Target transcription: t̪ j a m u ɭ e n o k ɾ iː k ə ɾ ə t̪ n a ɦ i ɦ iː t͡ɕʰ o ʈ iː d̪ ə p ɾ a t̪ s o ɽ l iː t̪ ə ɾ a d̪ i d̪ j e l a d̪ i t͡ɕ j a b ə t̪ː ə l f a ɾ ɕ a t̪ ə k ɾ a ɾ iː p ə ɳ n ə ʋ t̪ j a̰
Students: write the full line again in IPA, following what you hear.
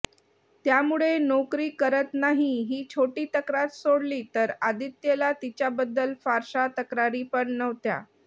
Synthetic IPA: t̪ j a m u ɭ e n o k ɾ iː k ə ɾ ə t̪ n a ɦ i ɦ iː t͡ɕʰ o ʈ iː t̪ ə k ɾ a t̪ s o ɽ l iː t̪ ə ɾ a d̪ i t̪ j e l a t̪ i t͡ɕ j a b ə d̪ː ə l f a ɾ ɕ a t̪ ə k ɾ a ɾ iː p ə ɳ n ə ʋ t̪ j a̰